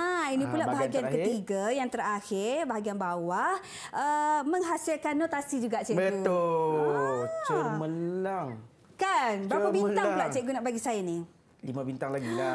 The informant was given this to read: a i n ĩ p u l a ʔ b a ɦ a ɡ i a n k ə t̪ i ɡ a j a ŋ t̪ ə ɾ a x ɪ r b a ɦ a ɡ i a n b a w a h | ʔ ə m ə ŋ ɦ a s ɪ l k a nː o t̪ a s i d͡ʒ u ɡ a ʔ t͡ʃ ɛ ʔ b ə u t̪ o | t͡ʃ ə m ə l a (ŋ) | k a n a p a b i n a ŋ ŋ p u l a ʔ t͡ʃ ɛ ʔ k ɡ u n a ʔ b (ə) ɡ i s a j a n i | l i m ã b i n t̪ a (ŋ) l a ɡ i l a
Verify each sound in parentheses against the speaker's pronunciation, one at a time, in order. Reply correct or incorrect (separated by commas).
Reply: correct, incorrect, correct